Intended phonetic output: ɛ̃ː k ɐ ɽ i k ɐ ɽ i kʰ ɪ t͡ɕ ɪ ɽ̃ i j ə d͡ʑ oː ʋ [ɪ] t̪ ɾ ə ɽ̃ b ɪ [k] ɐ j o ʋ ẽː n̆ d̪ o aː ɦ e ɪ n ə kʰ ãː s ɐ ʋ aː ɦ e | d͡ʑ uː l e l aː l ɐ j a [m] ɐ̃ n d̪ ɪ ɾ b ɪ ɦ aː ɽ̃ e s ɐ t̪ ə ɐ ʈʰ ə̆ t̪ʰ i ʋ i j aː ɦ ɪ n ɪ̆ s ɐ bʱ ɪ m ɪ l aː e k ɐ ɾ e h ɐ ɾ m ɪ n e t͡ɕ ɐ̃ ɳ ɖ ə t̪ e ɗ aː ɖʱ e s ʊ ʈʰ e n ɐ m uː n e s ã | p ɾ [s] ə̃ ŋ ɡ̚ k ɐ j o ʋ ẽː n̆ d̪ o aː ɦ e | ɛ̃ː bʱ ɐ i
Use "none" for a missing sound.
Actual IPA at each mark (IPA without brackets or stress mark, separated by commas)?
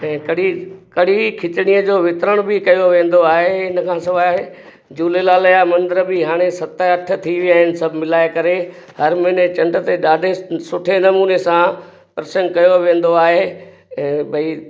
ɪ, k, m, s